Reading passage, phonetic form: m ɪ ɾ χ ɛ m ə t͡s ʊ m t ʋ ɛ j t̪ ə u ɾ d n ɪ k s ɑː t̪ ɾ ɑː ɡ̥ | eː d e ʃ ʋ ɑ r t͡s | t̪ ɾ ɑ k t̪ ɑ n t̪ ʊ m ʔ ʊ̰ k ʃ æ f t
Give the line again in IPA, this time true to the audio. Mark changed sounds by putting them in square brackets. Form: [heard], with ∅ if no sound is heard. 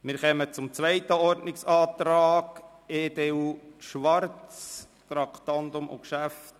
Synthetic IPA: m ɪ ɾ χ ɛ m ə t͡s ʊ m [t͡s] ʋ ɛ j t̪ ə [ɔ] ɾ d n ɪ k s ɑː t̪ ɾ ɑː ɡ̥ | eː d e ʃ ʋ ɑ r t͡s | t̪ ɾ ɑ k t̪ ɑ n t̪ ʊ m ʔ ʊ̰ k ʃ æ f t